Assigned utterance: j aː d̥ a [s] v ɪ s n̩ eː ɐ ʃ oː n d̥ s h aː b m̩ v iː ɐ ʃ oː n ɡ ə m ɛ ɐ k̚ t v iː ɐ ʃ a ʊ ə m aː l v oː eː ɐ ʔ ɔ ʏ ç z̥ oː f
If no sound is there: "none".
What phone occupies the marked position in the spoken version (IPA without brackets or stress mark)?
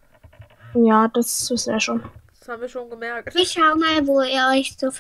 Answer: s